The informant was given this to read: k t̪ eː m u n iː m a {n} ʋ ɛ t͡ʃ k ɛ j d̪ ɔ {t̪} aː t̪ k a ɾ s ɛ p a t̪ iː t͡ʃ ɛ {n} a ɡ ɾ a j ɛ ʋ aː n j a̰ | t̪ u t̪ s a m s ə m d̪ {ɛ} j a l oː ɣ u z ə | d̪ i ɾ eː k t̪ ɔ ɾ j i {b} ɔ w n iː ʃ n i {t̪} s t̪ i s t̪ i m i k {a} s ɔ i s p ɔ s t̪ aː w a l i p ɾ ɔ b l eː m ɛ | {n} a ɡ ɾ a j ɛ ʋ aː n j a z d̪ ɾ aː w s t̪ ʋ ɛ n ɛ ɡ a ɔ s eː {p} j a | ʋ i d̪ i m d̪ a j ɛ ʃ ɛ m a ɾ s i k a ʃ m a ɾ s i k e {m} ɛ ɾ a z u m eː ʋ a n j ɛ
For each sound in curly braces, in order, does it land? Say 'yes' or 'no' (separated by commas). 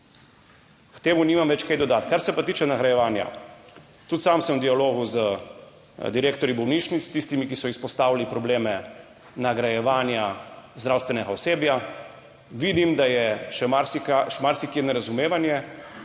no, no, yes, no, yes, yes, no, yes, no, no